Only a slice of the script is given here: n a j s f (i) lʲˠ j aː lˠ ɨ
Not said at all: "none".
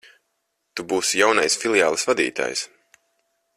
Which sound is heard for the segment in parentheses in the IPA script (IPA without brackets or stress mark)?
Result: i